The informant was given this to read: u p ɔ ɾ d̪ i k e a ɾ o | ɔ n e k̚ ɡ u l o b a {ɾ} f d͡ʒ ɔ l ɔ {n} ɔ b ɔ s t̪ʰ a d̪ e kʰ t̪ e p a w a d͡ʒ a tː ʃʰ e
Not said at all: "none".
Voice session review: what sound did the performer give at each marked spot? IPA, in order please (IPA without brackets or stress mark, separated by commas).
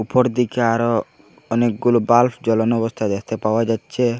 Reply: l, n